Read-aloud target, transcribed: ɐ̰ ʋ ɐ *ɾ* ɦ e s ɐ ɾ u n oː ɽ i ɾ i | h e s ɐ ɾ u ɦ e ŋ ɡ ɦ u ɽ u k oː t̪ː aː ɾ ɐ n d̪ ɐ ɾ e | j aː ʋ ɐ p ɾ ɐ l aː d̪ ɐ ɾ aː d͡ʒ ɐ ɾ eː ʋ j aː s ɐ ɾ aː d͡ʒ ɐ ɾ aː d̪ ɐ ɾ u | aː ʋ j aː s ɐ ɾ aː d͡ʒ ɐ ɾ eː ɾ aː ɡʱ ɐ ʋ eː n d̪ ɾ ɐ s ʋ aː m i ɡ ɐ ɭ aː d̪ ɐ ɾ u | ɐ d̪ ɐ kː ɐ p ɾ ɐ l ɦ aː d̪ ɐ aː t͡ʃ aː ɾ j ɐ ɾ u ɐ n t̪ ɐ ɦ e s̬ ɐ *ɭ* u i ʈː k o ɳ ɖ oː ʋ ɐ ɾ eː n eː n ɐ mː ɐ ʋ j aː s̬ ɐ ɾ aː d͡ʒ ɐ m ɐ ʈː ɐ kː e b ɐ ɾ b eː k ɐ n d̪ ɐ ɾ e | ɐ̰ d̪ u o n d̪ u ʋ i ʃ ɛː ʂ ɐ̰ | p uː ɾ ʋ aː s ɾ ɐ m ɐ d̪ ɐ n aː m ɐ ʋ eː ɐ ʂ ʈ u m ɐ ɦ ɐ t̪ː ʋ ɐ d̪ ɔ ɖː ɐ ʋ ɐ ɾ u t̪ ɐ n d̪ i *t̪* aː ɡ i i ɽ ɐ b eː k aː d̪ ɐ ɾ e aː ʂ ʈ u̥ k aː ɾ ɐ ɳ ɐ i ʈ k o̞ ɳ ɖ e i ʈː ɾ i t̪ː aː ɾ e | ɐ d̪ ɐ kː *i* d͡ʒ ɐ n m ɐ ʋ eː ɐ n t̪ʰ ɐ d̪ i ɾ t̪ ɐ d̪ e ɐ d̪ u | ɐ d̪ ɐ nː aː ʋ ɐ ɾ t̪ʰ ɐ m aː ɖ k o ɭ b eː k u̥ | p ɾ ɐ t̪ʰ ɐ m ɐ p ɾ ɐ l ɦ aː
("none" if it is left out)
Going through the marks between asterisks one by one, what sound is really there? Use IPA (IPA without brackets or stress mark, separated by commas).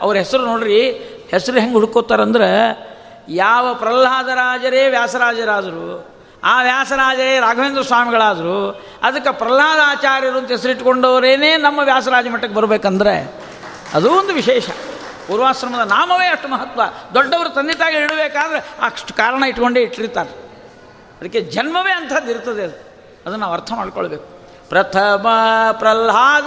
ɾ, ɾ, t̪, e